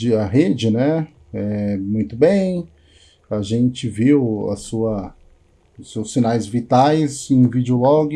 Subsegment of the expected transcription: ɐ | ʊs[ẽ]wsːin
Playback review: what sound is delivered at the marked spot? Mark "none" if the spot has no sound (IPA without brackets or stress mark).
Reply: e